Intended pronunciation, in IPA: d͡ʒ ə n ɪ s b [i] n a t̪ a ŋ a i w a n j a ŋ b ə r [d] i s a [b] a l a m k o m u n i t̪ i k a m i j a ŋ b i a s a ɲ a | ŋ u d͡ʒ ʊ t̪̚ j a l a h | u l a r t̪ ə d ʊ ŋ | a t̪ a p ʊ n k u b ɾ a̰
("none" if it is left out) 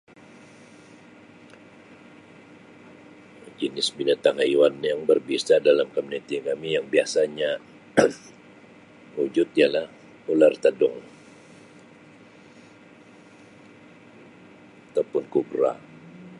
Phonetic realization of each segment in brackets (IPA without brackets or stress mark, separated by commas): i, b, d